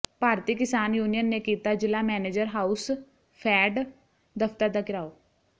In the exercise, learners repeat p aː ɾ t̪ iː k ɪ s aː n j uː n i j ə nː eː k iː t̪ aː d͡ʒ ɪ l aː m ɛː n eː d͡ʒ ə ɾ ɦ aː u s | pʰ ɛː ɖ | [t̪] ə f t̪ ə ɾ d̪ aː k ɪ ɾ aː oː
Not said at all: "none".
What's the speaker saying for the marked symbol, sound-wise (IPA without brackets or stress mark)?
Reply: d̪